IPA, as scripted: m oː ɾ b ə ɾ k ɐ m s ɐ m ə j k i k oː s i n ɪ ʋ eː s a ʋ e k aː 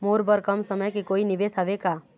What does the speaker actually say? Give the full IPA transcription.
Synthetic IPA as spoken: m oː ɾ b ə ɾ k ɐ m s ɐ m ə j k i k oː i n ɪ ʋ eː s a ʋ e k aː